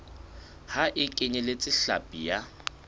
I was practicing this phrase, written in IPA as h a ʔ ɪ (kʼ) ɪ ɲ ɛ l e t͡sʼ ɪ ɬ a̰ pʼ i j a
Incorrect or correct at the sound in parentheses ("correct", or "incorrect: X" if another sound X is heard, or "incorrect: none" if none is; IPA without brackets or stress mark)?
correct